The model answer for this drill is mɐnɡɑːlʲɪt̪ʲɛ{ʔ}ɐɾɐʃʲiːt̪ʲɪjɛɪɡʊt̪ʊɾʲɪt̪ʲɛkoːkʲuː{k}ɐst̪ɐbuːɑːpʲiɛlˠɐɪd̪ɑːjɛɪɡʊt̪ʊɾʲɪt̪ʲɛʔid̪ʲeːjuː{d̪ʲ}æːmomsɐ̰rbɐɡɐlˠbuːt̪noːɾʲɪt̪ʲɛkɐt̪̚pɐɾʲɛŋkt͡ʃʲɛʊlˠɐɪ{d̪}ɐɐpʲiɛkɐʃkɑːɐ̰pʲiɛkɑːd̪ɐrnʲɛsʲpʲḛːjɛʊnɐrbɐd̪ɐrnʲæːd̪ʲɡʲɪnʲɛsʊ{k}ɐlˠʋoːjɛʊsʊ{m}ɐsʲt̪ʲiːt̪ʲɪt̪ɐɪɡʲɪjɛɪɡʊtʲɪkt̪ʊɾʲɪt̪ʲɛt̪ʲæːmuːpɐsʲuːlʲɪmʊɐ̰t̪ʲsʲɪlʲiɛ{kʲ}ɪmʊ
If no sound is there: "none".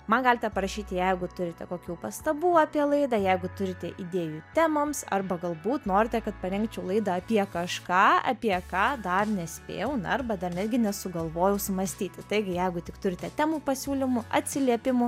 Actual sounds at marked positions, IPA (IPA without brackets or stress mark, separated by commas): p, p, t̪ʲ, d̪, ɡ, m, pʲ